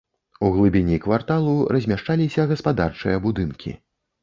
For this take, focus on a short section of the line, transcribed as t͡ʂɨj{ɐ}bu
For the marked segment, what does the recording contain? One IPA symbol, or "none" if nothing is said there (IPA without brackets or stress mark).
ɐ